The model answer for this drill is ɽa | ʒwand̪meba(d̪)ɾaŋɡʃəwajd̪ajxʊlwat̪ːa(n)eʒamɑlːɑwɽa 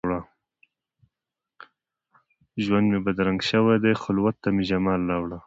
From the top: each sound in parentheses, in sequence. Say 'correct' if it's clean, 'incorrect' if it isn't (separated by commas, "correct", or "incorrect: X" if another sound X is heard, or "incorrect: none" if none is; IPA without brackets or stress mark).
correct, incorrect: m